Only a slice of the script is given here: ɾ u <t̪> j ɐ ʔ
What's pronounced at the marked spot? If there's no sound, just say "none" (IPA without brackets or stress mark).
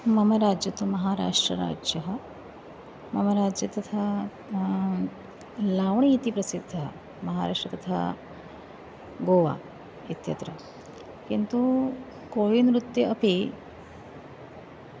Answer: t̪